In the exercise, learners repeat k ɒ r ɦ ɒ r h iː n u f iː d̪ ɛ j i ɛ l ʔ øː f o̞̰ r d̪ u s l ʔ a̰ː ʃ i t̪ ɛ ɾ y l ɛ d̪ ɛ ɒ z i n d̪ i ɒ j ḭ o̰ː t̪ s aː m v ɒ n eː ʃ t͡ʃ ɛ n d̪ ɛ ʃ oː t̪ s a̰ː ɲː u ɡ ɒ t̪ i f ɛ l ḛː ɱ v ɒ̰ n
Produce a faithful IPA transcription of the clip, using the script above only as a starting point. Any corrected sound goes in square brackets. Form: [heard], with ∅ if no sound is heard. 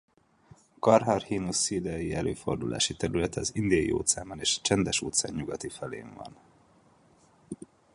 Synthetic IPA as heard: k ɒ r ɦ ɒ r h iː n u [s] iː d̪ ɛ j i ɛ l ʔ øː f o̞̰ r d̪ u [∅] l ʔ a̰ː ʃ i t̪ ɛ ɾ y l ɛ [t̪] ɛ ɒ z i n d̪ i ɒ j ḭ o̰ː t̪ s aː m [b] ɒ n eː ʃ t͡ʃ ɛ n d̪ ɛ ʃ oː t̪ s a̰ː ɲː u ɡ ɒ t̪ i f ɛ l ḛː ɱ v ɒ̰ n